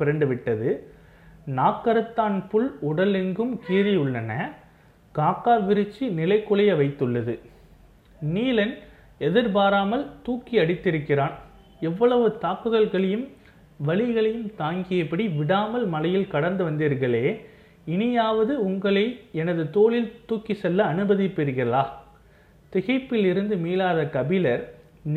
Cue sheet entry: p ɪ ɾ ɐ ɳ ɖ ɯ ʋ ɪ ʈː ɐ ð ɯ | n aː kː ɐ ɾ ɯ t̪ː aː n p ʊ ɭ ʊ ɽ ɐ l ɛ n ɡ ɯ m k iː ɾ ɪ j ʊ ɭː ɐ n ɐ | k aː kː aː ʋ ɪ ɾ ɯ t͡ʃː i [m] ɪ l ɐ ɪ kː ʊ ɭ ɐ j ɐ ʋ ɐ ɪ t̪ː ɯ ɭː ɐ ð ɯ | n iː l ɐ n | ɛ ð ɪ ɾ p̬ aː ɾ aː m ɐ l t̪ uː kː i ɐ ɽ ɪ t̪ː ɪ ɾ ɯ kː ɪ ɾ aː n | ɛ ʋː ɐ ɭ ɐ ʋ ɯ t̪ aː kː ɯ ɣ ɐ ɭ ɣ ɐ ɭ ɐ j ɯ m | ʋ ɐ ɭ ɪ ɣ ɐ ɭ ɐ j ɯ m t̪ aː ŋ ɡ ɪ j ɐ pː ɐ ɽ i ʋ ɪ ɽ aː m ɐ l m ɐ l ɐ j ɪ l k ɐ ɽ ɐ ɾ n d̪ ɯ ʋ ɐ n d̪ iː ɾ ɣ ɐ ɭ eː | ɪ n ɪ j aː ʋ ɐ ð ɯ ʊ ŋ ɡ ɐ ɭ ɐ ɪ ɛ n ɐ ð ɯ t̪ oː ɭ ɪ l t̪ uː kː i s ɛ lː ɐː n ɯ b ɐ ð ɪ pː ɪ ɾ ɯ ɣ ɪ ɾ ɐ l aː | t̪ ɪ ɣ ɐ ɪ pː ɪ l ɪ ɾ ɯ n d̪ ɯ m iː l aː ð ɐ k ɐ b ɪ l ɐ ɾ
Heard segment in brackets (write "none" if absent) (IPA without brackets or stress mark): n